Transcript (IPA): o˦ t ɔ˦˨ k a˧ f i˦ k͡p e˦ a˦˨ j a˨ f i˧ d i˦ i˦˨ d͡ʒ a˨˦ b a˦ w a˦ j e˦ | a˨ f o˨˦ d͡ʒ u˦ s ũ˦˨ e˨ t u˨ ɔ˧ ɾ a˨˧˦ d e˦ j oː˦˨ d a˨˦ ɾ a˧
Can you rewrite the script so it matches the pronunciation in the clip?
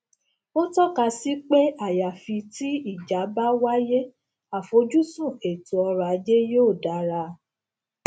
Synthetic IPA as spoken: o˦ t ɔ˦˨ k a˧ s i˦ k͡p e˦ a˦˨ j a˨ f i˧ t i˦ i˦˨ d͡ʒ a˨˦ b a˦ w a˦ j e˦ | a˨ f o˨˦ d͡ʒ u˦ s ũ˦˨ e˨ t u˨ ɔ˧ ɾ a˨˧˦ d͡ʒ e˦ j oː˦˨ d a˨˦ ɾ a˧